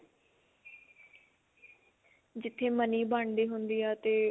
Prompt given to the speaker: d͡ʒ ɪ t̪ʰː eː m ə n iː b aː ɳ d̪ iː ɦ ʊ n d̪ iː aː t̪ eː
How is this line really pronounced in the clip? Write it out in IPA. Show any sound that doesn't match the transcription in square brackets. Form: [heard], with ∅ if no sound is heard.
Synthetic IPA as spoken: d͡ʒ ɪ t̪ʰː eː m ə n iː b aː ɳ d̪ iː ɦ ʊ n d̪ iː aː t̪ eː